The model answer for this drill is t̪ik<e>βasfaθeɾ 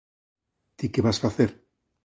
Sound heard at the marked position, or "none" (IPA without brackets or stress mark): e